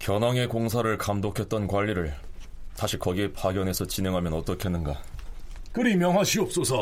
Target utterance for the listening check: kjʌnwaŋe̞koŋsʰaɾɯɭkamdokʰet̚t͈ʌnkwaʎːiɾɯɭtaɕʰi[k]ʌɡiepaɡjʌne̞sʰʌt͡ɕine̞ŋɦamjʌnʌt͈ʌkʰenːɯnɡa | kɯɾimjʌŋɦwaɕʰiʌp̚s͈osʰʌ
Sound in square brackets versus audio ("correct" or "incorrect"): correct